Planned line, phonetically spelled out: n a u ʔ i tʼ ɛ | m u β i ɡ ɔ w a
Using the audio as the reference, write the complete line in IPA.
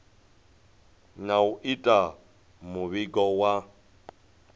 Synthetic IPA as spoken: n a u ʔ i tʼ a | m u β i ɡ ɔ w a